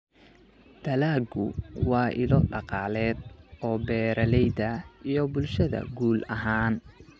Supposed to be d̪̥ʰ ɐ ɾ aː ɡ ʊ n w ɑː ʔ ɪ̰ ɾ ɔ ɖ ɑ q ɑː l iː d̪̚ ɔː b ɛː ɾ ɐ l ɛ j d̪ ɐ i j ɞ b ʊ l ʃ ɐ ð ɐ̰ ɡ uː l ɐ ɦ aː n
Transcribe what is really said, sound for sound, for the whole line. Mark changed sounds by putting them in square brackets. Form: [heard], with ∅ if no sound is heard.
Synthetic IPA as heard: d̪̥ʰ ɐ [l] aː ɡ ʊ [∅] w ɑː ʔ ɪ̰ [l] ɔ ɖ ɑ q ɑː l [ɛː] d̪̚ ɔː b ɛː ɾ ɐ l ɛ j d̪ ɐ i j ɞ b ʊ l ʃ ɐ ð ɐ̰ ɡ uː l ɐ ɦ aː n